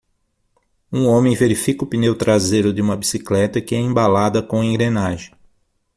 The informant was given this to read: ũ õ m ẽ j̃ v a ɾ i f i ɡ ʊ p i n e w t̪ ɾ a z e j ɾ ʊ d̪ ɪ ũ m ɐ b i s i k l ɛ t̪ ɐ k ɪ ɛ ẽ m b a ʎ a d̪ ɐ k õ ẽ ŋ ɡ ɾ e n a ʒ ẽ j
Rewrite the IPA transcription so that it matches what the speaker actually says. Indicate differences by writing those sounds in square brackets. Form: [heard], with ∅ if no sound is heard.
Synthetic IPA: ũ õ m ẽ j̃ v [e] ɾ i f i [k] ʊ p i n e w t̪ ɾ a z e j ɾ ʊ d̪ ɪ ũ m ɐ b i s i k l ɛ t̪ ɐ k ɪ ɛ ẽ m b a [l] a d̪ ɐ k õ ẽ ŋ ɡ ɾ e n a ʒ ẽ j

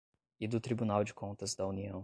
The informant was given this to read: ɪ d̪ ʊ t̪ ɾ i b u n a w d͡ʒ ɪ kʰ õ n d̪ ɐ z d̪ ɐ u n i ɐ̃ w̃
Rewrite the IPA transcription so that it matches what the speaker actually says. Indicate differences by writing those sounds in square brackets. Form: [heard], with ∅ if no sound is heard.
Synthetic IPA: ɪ d̪ ʊ t̪ ɾ i b u n a w d͡ʒ ɪ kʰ õ n [t̪] ɐ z d̪ ɐ u n i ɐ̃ w̃

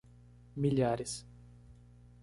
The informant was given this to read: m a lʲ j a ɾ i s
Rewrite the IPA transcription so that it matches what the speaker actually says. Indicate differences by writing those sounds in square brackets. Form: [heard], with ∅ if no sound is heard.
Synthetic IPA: m [i] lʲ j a ɾ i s

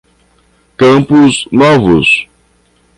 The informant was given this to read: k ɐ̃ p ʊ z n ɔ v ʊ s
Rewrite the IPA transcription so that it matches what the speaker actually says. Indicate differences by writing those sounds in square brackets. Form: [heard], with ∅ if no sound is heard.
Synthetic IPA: k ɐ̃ p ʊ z n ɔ v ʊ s

